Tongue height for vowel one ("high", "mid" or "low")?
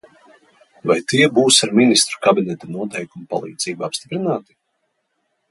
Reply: low